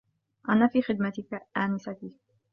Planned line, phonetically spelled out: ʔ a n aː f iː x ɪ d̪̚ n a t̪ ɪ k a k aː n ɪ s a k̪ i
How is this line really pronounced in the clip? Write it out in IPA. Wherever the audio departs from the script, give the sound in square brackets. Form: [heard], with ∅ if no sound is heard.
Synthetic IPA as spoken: ʔ a n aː f iː x ɪ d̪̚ [m] a t̪ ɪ k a [ʔ] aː n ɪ s a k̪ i

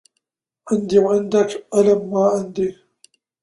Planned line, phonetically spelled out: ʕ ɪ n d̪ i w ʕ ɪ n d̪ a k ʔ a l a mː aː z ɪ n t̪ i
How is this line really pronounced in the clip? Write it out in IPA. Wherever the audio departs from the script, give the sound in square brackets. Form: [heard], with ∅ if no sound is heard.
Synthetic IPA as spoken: ʕ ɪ n d̪ i w ʕ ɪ n d̪ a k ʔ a l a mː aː [ʕ] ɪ n [d̪] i

